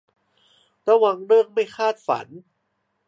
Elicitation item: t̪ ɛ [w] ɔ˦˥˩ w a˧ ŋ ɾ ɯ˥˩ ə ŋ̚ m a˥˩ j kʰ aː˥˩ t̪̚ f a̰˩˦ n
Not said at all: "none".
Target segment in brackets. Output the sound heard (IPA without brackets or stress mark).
none